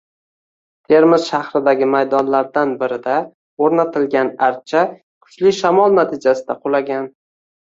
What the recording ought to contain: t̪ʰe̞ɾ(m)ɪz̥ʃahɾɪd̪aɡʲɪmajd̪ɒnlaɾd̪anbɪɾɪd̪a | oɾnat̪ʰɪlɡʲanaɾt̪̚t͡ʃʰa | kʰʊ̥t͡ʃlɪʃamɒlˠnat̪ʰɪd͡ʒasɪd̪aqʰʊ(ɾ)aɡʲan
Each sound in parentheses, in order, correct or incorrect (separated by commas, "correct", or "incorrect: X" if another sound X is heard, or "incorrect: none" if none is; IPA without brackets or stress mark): correct, incorrect: l